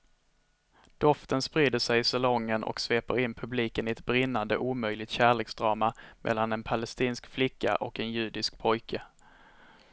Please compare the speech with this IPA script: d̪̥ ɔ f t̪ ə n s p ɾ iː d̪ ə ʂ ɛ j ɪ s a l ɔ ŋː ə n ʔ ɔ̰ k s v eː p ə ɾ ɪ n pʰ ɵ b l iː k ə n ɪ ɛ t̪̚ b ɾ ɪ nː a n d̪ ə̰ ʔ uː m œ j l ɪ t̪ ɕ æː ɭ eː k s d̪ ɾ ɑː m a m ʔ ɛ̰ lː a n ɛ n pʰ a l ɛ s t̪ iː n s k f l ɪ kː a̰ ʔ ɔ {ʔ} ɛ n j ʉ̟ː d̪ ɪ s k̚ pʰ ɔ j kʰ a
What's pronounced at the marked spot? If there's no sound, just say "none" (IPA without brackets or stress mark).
k